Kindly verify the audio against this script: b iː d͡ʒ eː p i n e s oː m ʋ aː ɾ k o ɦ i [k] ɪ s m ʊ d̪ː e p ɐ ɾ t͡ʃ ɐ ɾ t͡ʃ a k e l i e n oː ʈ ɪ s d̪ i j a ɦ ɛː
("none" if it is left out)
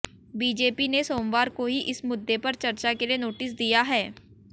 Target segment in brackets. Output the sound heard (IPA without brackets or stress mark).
ʔ